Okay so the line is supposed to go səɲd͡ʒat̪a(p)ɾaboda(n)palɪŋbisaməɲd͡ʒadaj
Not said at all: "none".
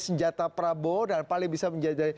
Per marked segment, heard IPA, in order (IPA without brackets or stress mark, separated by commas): p, n